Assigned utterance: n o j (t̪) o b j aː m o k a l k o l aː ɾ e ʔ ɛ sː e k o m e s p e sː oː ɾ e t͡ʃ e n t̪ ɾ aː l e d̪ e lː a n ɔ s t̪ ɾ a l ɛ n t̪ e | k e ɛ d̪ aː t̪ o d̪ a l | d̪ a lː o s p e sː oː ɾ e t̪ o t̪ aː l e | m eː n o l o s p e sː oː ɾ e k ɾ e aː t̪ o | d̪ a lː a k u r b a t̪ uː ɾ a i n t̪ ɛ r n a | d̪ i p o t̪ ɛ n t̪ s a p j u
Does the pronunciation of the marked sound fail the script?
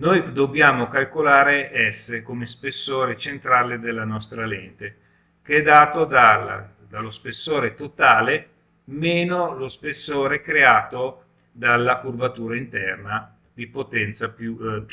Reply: yes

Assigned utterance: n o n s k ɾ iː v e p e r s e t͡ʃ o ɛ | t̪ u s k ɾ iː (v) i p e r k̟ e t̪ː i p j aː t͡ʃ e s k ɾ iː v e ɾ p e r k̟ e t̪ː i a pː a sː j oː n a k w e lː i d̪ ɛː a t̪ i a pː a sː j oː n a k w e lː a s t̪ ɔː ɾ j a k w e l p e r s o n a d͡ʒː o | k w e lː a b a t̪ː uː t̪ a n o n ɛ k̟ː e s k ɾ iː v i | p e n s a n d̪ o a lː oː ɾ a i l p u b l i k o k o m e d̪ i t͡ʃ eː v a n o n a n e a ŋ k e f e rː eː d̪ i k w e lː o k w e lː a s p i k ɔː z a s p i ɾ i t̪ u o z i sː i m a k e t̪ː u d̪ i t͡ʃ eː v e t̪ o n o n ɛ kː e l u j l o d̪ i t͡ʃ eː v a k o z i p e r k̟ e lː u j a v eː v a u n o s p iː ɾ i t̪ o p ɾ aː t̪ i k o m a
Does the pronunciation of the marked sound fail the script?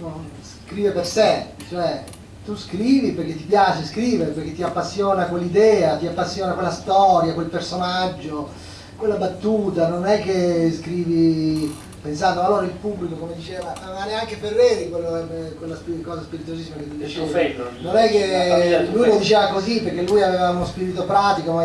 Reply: no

